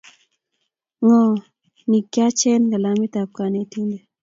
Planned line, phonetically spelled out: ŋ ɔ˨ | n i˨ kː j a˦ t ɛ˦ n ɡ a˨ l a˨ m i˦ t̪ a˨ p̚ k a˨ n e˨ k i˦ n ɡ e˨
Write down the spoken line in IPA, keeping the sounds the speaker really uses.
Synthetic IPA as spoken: ŋ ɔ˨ | n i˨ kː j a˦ t͡ʃ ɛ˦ n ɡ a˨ l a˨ m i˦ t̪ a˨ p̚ k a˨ n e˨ t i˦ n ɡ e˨